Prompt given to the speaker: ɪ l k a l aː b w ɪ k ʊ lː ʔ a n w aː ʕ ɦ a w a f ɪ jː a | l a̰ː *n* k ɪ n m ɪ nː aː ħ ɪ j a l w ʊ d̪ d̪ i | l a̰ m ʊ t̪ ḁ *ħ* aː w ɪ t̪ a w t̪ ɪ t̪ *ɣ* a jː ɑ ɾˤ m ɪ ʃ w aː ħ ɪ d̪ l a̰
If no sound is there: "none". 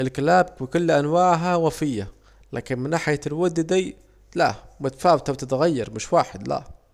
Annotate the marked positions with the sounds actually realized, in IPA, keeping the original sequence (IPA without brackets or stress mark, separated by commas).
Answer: none, f, ɣ